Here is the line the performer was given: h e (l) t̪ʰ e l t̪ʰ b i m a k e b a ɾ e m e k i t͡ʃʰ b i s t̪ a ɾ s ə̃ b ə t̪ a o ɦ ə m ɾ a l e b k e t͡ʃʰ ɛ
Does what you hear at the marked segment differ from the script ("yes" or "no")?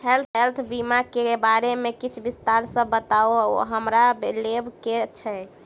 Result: no